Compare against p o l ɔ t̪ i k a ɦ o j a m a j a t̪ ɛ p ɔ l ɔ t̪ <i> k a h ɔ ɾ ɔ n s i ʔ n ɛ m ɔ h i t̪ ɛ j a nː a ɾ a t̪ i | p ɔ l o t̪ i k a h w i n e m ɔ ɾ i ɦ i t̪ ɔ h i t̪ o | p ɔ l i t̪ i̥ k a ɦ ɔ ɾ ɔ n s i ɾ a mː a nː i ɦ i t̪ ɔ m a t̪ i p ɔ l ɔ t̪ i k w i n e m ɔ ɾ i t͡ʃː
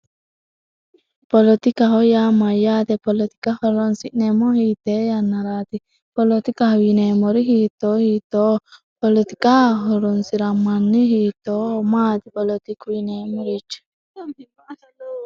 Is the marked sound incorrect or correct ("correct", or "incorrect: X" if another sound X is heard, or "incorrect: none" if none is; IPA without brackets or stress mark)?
correct